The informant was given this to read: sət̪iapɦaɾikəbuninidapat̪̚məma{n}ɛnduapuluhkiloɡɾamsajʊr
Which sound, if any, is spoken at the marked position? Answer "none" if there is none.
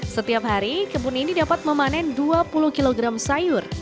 n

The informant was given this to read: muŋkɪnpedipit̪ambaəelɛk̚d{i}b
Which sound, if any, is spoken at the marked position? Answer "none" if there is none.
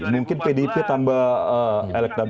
a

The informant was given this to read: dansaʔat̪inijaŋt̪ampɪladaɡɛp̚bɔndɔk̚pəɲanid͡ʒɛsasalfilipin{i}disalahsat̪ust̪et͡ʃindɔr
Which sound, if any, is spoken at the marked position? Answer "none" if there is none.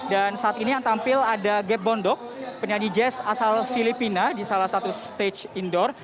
a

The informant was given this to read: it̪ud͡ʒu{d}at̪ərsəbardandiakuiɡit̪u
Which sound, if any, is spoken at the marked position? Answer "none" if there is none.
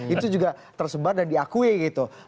ɡ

